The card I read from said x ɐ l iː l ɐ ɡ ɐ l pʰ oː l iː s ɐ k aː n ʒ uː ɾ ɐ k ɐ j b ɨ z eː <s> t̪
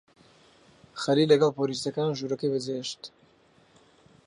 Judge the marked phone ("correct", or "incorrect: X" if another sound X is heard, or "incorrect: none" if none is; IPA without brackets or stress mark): incorrect: ʃ